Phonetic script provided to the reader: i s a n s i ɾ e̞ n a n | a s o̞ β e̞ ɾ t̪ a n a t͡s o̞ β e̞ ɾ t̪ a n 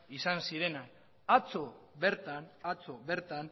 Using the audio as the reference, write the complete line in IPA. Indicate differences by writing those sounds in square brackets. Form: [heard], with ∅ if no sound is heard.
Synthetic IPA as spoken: i s a n s i ɾ e̞ n a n | a [t͡s] o̞ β e̞ ɾ t̪ a n a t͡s o̞ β e̞ ɾ t̪ a n